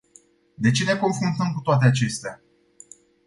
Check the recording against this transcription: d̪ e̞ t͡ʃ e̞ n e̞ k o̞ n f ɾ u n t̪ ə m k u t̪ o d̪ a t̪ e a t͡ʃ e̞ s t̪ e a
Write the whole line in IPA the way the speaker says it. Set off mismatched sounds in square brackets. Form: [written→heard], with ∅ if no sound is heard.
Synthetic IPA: d̪ e̞ t͡ʃ e̞ n e̞ k o̞ n f ɾ u n t̪ ə m k u t̪ o [d̪→∅] a t̪ e a t͡ʃ e̞ s t̪ e a